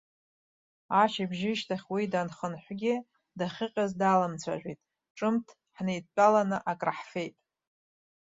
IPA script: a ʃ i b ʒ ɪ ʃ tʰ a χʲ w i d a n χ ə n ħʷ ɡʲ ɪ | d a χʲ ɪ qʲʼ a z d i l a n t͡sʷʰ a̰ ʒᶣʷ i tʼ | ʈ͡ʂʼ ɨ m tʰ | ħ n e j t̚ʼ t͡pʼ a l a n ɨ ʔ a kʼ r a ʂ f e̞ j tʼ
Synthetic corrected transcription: a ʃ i b ʒ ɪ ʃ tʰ a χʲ w i d a n χ ə n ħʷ ɡʲ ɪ | d a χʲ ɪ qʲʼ a z d a l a m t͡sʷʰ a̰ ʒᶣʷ i tʼ | ʈ͡ʂʼ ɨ m tʰ | ħ n e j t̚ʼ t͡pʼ a l a n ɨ ʔ a kʼ r a ħ f e̞ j tʼ